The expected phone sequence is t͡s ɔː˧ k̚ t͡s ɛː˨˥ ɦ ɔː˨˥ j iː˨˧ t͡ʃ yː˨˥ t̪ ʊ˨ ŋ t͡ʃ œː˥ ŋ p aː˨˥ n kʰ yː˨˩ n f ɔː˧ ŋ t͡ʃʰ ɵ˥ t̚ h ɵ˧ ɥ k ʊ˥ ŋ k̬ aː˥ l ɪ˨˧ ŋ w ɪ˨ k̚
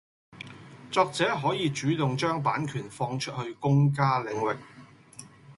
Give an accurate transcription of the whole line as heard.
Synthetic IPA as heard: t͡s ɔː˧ k̚ t͡s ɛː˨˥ ɦ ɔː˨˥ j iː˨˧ t͡ʃ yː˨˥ t̪ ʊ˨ ŋ t͡ʃ œː˥ ŋ p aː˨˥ n kʰ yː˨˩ n f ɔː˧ ŋ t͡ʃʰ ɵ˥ t̚ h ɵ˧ ɥ k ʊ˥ ŋ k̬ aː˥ l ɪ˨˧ ŋ w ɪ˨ k̚